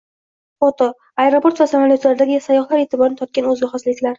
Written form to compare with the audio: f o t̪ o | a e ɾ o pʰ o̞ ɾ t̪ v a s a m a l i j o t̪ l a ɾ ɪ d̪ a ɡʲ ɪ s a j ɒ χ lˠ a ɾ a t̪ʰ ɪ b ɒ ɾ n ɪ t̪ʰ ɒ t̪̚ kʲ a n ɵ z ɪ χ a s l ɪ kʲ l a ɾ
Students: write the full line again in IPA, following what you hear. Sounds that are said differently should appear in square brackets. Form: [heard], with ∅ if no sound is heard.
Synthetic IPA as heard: f o t̪ o | a e ɾ o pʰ o̞ ɾ t̪ v a s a m a l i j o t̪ l a ɾ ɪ d̪ a ɡʲ ɪ s a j ɒ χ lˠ a ɾ [e] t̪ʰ ɪ b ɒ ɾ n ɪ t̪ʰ ɒ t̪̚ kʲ a n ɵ z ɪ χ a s l ɪ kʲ l a ɾ